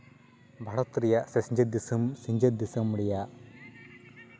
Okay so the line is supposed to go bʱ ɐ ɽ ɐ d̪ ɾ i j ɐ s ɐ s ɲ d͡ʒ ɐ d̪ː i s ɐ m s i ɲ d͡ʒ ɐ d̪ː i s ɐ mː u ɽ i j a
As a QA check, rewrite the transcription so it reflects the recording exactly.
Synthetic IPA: bʱ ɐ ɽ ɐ t̪ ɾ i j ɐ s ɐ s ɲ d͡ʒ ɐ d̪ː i s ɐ m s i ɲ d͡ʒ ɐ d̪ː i s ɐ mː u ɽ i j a